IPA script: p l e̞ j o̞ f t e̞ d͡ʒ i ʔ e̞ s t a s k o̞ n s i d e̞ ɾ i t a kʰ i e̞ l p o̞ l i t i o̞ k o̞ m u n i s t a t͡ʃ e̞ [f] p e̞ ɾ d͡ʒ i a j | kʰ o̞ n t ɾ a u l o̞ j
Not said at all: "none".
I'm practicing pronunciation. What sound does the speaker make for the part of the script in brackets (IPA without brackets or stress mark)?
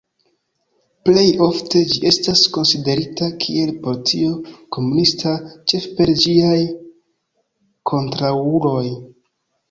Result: f